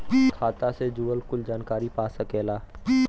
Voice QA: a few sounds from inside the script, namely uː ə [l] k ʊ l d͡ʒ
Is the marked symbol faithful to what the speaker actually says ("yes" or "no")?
yes